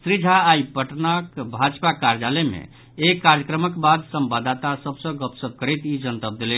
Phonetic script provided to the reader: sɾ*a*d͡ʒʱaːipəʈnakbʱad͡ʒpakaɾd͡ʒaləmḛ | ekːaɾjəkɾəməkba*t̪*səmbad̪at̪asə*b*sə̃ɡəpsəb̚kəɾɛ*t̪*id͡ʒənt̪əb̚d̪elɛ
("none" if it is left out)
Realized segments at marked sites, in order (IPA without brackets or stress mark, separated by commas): i, d̪, b, t̪